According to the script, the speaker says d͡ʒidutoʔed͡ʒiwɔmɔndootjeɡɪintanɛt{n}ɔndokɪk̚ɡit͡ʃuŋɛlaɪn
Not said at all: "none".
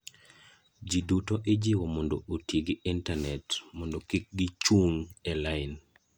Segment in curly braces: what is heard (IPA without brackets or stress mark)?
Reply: m